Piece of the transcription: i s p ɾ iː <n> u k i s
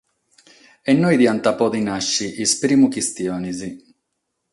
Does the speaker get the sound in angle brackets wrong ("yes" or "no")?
yes